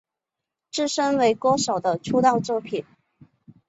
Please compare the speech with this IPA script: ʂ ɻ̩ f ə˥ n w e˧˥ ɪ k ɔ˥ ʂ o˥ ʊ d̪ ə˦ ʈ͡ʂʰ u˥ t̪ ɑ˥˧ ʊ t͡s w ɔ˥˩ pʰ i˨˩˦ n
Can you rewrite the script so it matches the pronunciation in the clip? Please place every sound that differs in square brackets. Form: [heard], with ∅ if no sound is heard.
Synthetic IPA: [ʈ͡ʂ] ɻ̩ [ʂ] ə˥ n w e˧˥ ɪ k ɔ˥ ʂ [o˨˩] ʊ d̪ ə˦ ʈ͡ʂʰ u˥ t̪ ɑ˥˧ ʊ t͡s w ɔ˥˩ pʰ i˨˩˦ n